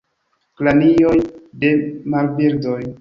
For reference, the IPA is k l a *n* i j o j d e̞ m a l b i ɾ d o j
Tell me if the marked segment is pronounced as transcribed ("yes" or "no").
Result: yes